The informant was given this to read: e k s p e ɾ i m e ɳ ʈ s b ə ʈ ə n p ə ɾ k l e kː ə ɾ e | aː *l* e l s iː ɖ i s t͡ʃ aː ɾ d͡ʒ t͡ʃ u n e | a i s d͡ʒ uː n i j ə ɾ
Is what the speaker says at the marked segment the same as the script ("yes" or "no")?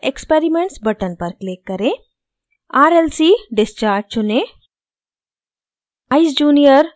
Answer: no